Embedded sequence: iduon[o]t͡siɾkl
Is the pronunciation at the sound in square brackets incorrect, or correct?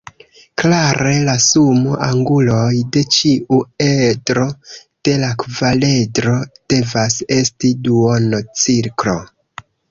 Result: correct